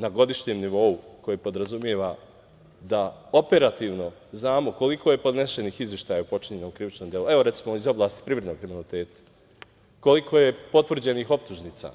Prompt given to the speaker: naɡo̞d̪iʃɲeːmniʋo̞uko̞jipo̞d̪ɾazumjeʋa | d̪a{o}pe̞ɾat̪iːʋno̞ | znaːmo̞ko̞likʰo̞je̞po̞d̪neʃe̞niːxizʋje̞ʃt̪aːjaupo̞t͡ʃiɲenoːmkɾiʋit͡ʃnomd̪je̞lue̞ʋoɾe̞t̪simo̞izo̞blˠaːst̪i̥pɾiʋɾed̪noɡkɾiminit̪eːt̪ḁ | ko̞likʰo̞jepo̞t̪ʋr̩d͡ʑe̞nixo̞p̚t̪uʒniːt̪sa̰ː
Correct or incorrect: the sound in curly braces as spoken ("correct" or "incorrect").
correct